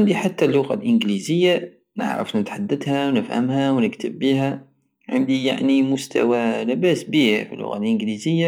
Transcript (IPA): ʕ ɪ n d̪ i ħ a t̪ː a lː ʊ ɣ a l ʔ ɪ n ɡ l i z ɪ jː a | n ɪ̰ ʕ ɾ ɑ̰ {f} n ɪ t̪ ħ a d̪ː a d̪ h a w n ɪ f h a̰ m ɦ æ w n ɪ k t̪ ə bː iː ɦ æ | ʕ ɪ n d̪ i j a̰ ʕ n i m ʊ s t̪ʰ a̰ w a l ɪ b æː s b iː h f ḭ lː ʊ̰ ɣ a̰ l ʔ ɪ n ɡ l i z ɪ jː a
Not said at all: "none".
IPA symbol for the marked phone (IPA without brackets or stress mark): f